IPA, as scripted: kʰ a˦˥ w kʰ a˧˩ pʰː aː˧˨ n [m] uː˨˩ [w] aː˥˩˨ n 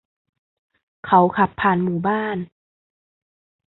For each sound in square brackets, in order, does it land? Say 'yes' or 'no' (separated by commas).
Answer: yes, no